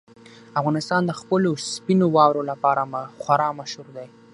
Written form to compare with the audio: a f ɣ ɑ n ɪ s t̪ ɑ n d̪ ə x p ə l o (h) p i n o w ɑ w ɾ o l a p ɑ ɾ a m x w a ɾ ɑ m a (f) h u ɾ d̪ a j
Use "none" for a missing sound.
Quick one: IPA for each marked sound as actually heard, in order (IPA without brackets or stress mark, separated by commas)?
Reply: s, ʃ